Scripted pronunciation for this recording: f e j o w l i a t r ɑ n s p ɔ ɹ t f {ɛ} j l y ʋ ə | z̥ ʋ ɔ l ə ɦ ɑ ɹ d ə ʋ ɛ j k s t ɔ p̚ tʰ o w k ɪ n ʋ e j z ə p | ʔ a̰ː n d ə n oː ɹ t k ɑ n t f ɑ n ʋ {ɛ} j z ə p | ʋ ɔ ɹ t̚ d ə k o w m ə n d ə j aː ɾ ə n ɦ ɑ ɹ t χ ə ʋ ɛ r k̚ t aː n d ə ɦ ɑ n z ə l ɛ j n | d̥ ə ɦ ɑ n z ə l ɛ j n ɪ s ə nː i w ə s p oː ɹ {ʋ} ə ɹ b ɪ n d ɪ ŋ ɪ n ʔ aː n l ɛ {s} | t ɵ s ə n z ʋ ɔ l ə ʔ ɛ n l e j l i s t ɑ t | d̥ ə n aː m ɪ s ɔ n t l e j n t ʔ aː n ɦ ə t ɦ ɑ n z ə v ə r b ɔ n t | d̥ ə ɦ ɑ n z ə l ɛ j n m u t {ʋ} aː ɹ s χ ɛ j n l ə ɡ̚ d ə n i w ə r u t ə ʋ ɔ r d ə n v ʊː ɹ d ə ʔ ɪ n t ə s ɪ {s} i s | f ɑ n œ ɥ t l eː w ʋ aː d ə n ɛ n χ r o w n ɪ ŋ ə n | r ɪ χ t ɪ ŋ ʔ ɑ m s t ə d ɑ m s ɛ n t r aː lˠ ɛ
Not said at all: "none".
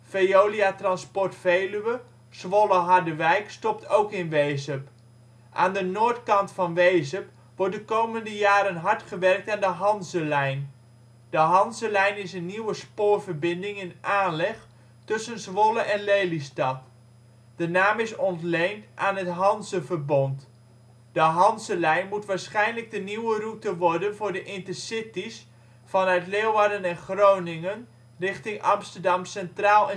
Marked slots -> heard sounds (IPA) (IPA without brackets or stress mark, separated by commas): e, e, v, χ, ʋ, t